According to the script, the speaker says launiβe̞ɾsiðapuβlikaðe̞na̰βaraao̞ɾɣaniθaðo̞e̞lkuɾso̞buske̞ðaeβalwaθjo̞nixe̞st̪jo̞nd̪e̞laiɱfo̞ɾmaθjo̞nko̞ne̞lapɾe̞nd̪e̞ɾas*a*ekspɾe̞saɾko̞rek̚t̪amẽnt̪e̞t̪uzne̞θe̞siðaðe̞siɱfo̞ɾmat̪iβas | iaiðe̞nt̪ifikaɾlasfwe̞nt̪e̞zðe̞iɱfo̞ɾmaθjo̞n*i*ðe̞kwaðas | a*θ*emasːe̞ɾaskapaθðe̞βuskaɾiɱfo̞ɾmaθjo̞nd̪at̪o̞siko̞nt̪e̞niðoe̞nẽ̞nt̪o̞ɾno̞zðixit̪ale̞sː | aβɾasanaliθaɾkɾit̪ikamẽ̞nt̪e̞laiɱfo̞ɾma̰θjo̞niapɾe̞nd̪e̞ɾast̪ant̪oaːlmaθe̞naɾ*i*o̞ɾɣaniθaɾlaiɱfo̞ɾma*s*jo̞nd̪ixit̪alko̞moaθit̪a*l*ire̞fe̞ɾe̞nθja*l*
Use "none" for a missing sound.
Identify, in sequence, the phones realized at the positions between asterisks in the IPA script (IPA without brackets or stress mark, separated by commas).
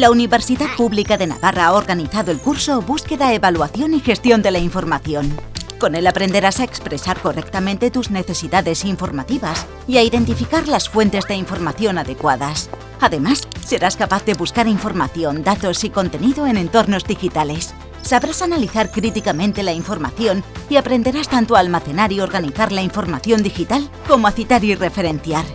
a, a, ð, i, θ, ɾ, ɾ